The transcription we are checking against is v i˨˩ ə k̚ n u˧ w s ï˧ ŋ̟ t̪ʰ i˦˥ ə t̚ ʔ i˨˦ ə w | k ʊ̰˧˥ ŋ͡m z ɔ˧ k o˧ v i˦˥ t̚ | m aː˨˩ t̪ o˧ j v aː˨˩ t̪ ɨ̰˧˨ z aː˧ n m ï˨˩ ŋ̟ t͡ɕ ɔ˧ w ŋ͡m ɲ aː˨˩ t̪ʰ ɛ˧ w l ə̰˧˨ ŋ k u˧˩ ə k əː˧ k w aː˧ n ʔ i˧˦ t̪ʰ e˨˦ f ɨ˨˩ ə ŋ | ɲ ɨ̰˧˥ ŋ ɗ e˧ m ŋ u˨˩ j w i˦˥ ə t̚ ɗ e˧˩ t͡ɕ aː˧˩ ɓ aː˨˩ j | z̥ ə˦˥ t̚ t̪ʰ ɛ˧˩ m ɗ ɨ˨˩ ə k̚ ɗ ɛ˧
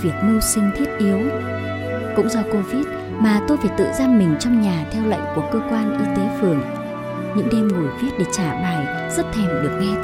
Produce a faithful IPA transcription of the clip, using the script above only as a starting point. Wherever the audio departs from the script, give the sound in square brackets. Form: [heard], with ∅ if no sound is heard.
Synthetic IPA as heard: v i˨˩ ə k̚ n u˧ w s ï˧ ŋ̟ t̪ʰ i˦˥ ə t̚ ʔ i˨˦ ə w | k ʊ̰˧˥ ŋ͡m z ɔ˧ k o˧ v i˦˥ t̚ | m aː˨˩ t̪ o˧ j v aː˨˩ t̪ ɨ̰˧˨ z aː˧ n m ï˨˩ ŋ̟ t͡ɕ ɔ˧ w ŋ͡m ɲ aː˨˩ t̪ʰ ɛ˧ w l ə̰˧˨ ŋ k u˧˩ ə k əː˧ k w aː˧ n ʔ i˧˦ [t̪] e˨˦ f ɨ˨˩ ə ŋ | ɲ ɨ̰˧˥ ŋ ɗ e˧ m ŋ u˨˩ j [v] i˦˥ ə t̚ ɗ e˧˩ t͡ɕ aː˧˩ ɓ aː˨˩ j | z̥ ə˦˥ t̚ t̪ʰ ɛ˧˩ m ɗ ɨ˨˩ ə k̚ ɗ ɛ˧